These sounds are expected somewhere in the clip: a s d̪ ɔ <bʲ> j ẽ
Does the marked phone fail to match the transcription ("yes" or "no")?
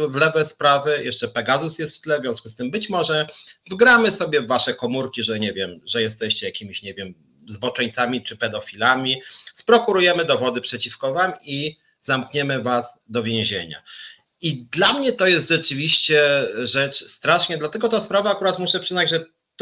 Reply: yes